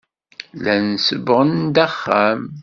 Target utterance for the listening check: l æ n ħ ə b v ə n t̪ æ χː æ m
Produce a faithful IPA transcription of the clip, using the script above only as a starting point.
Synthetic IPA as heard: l æ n s ə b ʁ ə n d̪ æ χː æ m